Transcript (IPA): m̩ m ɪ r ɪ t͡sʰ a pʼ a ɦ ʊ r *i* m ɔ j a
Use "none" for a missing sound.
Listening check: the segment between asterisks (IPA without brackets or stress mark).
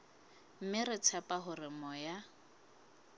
ɪ